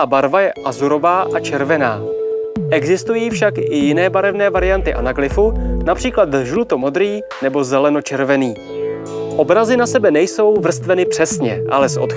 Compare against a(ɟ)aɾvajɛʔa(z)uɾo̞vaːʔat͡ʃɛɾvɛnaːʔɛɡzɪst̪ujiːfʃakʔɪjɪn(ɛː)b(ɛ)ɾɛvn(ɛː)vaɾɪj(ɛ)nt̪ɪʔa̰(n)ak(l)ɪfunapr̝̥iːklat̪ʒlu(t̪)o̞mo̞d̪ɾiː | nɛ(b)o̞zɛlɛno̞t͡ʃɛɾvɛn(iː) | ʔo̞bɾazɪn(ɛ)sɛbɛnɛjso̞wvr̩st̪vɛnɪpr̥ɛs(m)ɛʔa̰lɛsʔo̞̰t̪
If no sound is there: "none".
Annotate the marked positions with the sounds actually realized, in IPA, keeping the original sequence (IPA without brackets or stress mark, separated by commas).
b, z, ɛː, a, ɛː, a, n, l, t̪, b, iː, a, ɲ